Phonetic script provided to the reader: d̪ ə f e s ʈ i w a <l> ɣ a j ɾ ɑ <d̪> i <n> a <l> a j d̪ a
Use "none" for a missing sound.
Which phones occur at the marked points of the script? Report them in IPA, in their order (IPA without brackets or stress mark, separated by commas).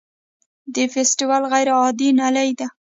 l, d̪, n, l